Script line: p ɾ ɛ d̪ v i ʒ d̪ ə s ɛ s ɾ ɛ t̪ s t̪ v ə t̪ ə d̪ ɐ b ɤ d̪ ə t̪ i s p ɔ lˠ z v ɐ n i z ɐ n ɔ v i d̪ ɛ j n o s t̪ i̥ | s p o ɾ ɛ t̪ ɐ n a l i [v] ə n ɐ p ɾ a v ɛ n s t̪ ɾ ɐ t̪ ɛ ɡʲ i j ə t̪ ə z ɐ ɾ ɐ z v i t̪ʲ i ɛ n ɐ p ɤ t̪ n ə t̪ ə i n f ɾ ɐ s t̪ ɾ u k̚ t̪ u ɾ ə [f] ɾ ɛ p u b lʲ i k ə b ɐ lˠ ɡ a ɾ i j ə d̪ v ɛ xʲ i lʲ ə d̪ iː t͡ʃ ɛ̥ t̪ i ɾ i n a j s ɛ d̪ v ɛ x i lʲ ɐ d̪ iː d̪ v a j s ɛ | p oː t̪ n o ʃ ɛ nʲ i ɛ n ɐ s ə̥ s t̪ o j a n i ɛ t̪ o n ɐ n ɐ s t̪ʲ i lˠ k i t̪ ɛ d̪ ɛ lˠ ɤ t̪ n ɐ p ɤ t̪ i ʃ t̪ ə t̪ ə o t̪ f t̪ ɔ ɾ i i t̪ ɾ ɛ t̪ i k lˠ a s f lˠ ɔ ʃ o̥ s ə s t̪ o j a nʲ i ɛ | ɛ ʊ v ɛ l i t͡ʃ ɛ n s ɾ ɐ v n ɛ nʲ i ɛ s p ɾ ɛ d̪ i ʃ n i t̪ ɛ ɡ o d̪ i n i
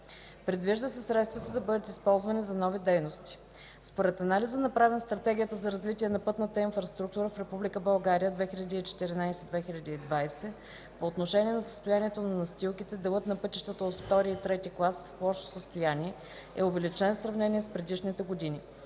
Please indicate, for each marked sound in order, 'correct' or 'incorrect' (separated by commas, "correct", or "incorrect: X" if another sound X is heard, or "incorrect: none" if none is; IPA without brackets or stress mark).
incorrect: z, correct